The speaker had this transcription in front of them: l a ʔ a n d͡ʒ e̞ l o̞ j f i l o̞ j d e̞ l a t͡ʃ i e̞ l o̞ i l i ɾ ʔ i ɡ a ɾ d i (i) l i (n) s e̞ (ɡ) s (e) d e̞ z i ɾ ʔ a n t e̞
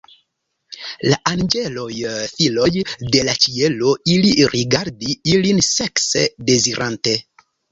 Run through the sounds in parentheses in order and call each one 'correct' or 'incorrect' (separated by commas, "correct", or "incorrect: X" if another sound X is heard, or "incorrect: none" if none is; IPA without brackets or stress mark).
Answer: correct, correct, incorrect: k, correct